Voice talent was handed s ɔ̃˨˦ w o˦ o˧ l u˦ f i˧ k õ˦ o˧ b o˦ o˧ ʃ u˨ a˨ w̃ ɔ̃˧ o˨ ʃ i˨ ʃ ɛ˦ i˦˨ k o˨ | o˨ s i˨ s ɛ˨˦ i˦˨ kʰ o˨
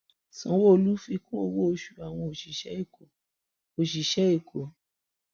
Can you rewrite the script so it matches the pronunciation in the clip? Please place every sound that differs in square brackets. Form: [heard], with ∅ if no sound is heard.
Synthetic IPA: s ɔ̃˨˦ w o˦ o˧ l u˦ f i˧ k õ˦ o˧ [w] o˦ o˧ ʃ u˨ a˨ w̃ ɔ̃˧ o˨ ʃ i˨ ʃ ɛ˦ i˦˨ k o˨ | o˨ [ʃ] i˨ [ʃ] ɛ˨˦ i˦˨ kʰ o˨